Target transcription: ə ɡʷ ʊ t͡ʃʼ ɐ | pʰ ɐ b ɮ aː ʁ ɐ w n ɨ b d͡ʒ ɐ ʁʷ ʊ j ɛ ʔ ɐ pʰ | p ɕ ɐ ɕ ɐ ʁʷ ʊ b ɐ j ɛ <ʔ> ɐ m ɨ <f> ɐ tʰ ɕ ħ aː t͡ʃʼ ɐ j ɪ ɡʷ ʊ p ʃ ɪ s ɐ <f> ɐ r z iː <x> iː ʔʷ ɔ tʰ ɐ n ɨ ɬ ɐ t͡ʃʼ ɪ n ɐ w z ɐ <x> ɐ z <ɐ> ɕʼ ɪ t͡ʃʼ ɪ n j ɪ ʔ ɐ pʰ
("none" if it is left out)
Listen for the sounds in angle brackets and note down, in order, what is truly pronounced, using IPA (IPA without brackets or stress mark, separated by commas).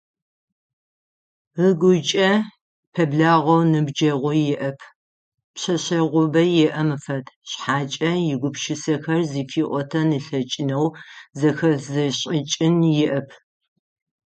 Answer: ʔ, f, x, f, x, ɐ